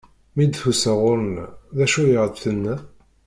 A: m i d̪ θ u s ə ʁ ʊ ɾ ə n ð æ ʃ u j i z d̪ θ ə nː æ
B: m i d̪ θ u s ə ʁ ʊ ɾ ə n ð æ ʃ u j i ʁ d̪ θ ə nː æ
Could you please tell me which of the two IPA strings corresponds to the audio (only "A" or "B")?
B